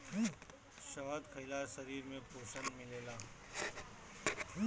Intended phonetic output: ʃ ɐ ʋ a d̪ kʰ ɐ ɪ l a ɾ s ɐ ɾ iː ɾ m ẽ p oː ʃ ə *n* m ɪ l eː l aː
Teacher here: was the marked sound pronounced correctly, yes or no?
yes